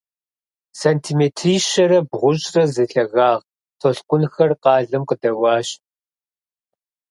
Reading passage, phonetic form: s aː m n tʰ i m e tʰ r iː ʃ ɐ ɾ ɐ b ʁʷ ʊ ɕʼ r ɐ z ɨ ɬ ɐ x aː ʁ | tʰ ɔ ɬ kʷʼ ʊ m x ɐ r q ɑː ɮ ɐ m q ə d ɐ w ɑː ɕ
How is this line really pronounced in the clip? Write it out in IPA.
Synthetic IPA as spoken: s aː n tʰ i m e tʰ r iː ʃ ɐ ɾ ɐ b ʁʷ ʊ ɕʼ r ɐ z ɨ ɬ ɐ ɣ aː ʁ | tʰ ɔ ɬ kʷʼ ʊ n x ɐ r q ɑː ɮ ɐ m q ə d ɐ w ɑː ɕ